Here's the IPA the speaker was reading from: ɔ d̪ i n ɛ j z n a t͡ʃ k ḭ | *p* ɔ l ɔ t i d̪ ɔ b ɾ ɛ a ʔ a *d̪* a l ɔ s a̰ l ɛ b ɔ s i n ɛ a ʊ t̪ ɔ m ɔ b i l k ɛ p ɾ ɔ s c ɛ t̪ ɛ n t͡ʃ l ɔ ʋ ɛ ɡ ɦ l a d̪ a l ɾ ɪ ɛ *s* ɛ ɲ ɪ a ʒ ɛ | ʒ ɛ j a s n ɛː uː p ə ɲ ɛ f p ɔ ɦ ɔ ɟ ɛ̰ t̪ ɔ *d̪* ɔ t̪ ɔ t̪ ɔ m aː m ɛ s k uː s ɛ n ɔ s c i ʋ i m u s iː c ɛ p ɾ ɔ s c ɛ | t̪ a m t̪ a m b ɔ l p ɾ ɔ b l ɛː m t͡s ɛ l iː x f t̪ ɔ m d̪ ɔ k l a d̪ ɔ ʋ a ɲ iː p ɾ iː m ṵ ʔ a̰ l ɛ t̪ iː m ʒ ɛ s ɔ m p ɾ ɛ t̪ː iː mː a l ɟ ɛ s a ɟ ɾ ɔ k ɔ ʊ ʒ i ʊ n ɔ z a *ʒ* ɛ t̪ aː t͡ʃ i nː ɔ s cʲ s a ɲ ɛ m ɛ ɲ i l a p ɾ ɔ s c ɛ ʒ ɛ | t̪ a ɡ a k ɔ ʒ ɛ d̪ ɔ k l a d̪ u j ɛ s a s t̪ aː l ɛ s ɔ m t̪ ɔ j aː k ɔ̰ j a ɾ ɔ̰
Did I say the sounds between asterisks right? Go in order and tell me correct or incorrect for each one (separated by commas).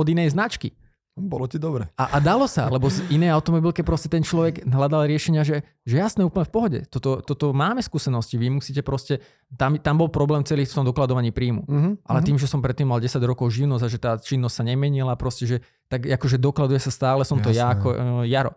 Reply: incorrect, correct, incorrect, incorrect, correct